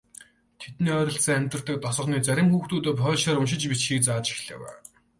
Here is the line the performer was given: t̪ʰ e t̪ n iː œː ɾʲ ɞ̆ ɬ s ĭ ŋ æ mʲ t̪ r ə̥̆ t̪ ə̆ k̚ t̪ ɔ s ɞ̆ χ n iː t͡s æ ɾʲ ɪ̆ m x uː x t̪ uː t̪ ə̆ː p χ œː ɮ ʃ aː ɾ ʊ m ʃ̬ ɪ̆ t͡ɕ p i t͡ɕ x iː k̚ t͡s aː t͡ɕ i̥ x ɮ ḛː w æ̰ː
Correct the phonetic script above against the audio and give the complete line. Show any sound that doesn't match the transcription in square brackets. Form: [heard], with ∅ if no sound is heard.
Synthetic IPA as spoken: t̪ʰ e t̪ n iː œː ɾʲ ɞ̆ ɬ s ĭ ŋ æ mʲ t̪ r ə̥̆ t̪ ə̆ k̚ t̪ ɔ s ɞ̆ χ n iː t͡s æ ɾʲ ɪ̆ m x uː x t̪ uː t̪ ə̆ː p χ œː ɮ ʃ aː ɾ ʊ m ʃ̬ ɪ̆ t͡ɕ p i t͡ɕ x iː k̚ t͡s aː t͡ɕ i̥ x ɮ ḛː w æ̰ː